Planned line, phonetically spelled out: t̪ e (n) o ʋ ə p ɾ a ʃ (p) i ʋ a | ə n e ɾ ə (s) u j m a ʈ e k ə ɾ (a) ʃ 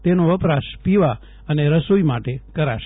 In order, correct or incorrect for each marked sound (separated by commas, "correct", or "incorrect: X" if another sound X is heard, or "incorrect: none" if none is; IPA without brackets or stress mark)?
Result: correct, correct, correct, correct